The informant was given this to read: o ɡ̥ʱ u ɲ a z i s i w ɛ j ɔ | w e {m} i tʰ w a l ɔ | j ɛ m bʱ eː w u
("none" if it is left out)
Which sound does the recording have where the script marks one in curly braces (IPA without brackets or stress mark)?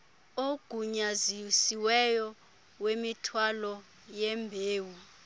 m